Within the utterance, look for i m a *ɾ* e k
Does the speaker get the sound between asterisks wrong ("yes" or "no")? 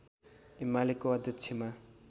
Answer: yes